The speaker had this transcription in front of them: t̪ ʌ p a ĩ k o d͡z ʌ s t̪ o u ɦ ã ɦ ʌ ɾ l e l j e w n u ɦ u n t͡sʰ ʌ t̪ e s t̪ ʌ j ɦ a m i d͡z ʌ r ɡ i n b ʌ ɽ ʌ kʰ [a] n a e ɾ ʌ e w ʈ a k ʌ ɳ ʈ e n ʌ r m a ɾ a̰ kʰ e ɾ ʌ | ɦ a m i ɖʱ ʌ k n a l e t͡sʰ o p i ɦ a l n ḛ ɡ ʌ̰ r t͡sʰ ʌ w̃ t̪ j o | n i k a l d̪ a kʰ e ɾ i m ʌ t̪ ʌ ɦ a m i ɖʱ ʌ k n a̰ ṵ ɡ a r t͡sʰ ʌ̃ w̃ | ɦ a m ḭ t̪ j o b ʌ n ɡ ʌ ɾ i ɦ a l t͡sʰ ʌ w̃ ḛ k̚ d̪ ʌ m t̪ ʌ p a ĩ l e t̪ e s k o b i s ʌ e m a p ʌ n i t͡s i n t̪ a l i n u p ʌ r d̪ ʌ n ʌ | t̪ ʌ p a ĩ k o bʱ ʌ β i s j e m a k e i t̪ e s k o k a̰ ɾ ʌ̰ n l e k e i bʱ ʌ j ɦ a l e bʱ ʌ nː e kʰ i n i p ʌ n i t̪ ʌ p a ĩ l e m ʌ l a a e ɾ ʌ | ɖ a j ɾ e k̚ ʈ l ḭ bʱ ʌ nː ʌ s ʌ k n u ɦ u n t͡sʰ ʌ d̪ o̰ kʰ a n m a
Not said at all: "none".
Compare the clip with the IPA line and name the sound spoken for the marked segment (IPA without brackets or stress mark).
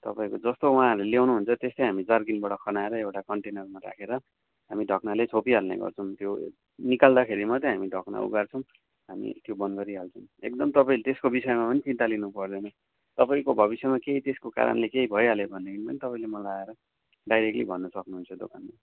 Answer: ʌ